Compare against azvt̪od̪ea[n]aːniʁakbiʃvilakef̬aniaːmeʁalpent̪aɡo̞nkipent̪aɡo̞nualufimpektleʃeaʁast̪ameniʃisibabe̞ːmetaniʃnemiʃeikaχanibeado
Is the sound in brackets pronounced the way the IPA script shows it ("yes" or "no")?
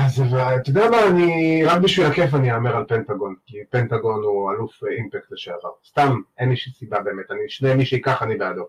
no